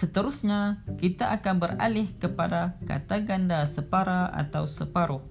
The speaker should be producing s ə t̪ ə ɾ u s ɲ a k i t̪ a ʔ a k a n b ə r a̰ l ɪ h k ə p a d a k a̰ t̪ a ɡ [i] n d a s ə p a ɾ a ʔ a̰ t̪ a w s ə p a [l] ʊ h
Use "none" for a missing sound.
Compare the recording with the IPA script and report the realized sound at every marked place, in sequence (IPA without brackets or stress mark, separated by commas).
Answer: a, ɾ